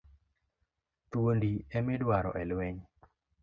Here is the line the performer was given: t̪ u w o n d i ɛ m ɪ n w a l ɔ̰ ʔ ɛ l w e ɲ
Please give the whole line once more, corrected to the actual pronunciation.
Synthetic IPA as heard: t̪ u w o n d i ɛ m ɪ d w a ɾ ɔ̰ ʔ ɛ l w e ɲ